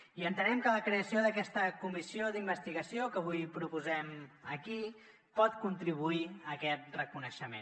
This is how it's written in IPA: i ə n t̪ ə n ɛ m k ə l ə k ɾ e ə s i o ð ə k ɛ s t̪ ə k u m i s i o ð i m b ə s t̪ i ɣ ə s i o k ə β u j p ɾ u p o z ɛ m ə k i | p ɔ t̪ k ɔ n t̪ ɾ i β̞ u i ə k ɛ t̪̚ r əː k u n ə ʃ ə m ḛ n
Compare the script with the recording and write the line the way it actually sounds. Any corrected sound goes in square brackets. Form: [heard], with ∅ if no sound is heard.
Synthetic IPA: i ə n t̪ ə n ɛ m k ə l ə k ɾ e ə s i o ð ə k ɛ s t̪ ə k u m i s i o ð i m b ə s t̪ i ɣ ə s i o k ə β u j p ɾ u p [u] z ɛ m ə k i | p ɔ t̪ k [u] n t̪ ɾ i β̞ u i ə k ɛ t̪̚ r [ə] k u n ə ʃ ə m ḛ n